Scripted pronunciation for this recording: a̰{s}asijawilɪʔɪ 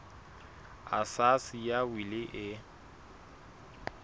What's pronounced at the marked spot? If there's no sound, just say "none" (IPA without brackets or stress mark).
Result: s